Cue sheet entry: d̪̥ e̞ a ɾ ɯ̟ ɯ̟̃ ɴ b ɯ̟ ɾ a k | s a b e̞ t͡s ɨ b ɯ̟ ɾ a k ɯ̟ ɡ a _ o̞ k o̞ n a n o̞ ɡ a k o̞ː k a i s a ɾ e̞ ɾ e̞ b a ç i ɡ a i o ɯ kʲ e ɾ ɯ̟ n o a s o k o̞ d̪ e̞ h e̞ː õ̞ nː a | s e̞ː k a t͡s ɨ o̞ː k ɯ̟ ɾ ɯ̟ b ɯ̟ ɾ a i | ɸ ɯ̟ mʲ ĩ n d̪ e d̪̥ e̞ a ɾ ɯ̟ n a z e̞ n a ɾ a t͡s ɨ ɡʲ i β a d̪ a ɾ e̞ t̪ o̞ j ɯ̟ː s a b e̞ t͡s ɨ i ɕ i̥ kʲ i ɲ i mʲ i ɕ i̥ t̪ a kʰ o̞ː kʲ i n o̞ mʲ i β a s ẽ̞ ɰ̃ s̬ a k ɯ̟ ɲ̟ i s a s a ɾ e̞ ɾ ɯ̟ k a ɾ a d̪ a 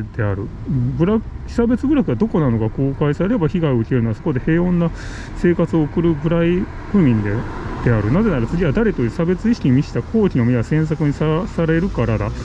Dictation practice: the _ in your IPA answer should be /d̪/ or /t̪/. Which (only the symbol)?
d̪